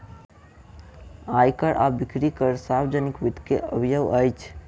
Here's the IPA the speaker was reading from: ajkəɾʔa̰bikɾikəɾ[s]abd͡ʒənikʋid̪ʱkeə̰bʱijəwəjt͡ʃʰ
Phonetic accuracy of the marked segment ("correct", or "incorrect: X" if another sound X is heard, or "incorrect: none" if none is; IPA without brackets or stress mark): correct